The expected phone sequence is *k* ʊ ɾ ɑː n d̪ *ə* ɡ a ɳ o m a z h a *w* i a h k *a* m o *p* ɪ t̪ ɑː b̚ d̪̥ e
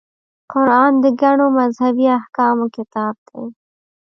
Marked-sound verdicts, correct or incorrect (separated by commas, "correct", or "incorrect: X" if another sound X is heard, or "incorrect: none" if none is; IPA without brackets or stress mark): incorrect: q, correct, incorrect: b, incorrect: ɑ, incorrect: k